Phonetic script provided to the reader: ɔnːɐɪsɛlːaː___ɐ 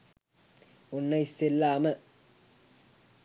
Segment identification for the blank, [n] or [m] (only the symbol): m